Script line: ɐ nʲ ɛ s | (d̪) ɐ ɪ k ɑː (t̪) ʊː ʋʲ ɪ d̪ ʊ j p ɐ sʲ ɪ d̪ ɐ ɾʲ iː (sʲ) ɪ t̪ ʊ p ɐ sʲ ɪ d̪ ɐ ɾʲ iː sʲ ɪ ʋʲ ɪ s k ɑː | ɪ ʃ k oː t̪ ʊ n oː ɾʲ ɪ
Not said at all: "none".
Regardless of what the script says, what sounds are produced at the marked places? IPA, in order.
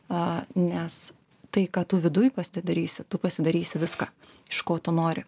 t̪, t̪, sʲ

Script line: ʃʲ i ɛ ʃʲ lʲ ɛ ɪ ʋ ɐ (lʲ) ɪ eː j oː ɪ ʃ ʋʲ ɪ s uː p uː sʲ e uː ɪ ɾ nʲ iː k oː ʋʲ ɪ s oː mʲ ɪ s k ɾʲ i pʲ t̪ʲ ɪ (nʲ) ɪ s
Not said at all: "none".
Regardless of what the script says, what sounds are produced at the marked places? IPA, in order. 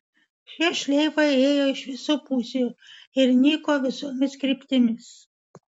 none, mʲ

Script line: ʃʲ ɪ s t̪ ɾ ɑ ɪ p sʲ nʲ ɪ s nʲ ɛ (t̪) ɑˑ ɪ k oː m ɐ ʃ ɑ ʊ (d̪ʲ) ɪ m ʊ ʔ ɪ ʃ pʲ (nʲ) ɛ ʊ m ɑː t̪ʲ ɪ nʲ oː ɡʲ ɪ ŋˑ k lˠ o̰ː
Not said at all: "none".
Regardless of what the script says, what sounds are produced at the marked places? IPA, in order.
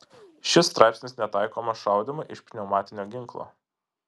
t̪, d̪ʲ, nʲ

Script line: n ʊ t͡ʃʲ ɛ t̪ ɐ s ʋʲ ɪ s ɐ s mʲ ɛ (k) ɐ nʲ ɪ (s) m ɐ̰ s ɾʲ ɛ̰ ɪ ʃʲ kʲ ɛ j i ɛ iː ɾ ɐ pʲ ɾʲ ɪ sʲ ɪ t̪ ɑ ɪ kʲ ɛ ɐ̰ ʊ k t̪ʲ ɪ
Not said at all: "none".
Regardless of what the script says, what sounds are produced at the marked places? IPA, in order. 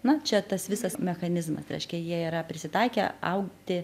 x, z

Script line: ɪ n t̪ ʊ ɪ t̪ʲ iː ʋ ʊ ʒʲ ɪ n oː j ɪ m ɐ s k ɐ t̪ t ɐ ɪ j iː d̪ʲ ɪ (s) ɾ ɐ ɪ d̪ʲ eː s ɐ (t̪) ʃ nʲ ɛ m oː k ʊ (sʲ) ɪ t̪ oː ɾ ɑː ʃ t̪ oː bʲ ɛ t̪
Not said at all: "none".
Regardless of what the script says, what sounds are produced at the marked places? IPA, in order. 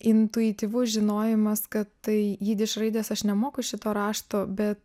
ʃ, none, ʃʲ

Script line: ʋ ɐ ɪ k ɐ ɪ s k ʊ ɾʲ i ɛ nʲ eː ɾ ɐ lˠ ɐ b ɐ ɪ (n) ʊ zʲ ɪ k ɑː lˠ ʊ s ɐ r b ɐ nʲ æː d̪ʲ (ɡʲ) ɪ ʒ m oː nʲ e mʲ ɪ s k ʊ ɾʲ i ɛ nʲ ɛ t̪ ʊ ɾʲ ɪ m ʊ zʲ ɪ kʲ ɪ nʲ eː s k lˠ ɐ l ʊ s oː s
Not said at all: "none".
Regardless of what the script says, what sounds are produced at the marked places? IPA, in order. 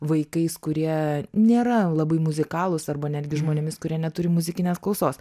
m, ɡʲ

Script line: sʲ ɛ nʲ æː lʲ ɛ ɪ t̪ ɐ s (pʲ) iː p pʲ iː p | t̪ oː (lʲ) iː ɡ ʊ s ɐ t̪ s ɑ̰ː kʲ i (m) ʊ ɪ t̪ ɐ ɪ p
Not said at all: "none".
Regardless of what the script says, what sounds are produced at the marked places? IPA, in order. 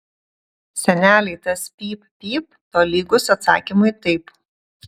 pʲ, lʲ, m

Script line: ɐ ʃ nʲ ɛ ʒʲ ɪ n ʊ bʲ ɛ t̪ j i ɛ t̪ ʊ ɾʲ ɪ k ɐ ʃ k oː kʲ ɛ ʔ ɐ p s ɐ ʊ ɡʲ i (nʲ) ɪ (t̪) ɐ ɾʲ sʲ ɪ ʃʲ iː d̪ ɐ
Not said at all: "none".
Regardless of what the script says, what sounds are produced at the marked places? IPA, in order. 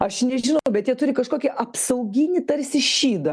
nʲ, t̪

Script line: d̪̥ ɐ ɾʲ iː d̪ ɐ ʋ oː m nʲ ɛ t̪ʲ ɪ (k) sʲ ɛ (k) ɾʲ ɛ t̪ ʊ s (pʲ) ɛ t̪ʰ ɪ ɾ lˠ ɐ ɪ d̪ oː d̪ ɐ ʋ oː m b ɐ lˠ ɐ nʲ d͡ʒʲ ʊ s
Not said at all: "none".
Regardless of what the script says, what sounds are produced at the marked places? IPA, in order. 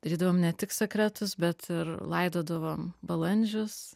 k, k, bʲ

